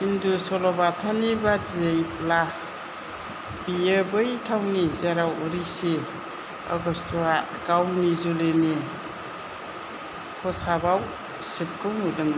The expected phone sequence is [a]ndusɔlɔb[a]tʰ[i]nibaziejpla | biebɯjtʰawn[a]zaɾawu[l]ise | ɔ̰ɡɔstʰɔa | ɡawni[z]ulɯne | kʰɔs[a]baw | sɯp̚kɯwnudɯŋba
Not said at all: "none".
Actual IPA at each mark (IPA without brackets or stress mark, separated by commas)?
i, a, a, i, ɾ, z, a